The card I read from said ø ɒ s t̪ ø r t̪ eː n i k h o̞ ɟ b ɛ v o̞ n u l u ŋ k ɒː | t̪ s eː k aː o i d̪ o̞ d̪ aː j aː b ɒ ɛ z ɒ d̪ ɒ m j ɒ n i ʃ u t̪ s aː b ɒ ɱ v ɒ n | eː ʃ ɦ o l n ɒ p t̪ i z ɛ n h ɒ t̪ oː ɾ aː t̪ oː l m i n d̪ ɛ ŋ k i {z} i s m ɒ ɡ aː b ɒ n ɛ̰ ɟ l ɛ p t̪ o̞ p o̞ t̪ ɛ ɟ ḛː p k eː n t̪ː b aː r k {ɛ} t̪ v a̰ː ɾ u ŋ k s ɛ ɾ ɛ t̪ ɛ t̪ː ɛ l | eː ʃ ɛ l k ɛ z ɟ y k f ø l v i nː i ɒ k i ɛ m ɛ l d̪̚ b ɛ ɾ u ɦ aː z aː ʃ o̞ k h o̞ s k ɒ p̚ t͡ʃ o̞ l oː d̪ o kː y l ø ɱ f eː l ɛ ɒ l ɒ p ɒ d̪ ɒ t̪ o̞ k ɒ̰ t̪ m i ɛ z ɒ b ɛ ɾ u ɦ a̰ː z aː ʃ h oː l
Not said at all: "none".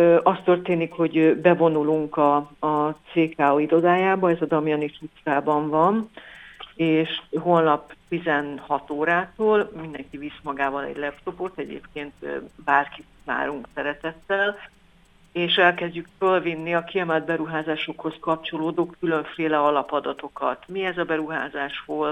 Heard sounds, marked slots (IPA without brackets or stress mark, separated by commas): v, i